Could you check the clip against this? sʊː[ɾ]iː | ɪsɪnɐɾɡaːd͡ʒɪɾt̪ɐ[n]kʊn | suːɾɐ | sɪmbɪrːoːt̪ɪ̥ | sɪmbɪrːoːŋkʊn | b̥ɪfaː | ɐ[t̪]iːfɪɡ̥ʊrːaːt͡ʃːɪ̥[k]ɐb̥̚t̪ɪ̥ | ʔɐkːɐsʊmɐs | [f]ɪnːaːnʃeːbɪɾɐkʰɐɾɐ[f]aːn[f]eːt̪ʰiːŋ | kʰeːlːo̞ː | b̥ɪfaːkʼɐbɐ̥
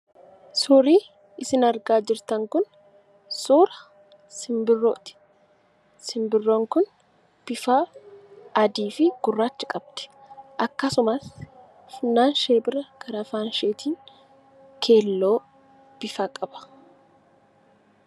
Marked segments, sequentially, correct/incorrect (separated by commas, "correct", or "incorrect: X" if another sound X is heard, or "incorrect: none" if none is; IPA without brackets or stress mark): correct, incorrect: ŋ, incorrect: d̪, incorrect: kʼ, correct, correct, incorrect: ʃ